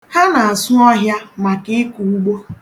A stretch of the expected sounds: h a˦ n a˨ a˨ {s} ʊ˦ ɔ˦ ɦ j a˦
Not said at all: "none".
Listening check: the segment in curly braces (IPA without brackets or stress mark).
s